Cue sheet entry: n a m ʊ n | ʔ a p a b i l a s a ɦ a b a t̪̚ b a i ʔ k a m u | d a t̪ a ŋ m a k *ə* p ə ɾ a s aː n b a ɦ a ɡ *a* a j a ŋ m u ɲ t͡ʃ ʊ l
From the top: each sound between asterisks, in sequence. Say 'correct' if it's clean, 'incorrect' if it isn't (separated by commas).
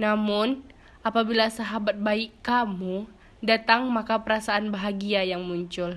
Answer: incorrect, incorrect